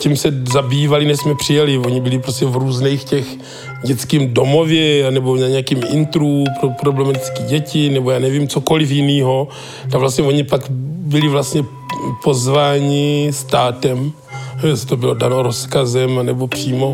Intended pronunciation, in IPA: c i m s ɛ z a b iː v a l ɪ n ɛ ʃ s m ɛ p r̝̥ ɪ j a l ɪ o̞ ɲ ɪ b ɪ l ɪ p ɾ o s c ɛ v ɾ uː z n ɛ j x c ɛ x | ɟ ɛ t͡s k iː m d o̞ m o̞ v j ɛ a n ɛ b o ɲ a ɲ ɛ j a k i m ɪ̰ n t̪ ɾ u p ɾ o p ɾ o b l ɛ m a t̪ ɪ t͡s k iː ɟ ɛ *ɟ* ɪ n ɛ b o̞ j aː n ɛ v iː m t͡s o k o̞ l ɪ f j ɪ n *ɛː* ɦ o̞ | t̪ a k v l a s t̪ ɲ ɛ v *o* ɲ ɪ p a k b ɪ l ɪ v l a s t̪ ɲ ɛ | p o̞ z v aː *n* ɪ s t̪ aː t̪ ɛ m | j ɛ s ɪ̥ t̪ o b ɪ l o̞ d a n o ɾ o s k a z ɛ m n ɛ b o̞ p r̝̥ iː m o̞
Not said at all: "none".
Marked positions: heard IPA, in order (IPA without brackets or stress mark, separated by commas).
c, iː, o, ɲ